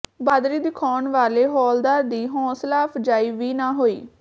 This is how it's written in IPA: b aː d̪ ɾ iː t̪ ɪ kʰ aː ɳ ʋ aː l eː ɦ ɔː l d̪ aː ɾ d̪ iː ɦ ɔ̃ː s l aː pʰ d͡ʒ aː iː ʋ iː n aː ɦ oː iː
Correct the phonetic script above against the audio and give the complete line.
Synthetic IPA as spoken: b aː d̪ ɾ iː d̪ ɪ kʰ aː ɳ ʋ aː l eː ɦ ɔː l d̪ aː ɾ d̪ iː ɦ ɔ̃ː s l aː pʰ d͡ʒ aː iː ʋ iː n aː ɦ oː iː